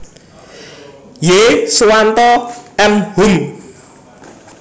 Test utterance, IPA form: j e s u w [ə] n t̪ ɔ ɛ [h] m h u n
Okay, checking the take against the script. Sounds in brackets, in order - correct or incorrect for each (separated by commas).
incorrect, incorrect